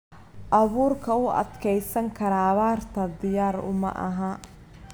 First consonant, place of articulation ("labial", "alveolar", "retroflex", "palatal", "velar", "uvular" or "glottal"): glottal